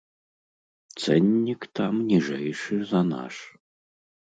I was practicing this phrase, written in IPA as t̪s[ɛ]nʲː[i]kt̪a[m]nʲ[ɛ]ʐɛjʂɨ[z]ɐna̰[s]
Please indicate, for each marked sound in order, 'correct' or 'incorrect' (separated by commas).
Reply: correct, correct, correct, incorrect, correct, incorrect